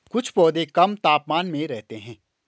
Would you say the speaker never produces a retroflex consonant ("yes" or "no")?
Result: yes